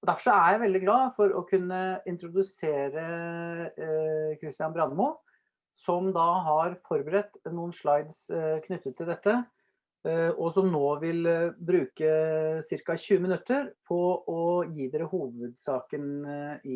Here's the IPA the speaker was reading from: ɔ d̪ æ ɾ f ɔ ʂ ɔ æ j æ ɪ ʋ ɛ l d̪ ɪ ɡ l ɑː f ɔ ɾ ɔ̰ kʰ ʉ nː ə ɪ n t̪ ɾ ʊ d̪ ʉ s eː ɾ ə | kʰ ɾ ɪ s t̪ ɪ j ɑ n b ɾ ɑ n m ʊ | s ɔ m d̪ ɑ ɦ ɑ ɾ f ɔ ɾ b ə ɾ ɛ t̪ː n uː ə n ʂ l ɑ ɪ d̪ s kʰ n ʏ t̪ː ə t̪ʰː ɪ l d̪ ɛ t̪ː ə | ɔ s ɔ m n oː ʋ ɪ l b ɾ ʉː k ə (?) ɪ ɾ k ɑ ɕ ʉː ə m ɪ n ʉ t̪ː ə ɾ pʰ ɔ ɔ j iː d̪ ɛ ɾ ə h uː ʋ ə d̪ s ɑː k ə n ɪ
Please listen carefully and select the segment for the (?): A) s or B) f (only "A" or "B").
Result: A